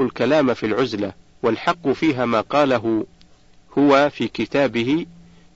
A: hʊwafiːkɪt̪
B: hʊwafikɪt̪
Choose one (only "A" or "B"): A